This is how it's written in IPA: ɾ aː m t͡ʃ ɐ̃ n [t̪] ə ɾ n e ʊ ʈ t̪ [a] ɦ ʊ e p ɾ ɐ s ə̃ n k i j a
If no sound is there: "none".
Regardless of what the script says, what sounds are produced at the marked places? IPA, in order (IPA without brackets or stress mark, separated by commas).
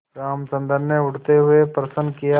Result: d̪, e